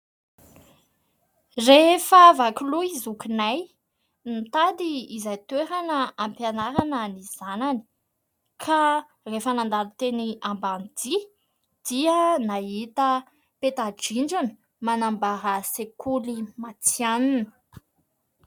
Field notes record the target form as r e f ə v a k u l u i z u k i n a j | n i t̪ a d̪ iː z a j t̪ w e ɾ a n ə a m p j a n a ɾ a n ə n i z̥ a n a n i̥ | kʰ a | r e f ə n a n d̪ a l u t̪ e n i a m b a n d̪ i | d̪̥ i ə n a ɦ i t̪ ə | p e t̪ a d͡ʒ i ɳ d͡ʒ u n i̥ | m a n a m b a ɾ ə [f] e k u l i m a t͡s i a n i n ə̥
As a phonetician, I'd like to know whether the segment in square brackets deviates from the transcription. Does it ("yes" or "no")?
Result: yes